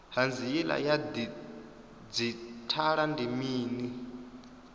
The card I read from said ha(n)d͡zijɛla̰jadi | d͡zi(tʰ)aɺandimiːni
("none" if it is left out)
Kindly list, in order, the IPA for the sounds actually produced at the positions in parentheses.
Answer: n, tʰ

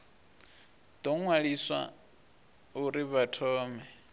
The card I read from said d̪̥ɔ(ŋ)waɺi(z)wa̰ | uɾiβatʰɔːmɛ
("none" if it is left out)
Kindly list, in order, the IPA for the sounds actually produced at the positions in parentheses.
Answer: ŋ, s

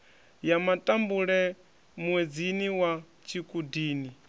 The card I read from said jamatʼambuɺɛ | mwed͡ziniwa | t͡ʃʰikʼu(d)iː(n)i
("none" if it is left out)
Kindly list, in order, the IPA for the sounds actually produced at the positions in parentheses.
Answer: d, n

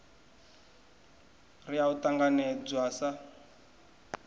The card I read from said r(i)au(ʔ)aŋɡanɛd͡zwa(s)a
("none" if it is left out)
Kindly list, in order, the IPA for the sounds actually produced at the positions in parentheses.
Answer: i, t, s

